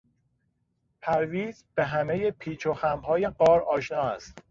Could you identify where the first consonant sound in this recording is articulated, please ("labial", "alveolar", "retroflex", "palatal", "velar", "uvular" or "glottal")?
labial